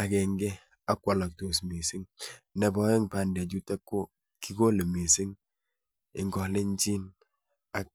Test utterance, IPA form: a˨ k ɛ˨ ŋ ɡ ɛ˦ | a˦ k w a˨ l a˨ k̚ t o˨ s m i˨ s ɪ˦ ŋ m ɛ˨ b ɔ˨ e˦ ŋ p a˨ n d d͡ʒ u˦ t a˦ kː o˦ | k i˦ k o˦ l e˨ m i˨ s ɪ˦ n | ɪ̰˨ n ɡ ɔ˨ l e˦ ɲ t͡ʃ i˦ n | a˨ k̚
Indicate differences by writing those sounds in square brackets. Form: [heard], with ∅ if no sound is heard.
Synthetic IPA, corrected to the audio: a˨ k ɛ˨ ŋ ɡ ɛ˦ | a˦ k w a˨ l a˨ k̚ t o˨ s m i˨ s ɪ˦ ŋ [n] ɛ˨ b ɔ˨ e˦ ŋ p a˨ n d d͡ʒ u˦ t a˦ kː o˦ | k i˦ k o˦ l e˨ m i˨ s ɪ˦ [ŋ] | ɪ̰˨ [ŋ] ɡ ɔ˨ l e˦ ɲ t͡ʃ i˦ n | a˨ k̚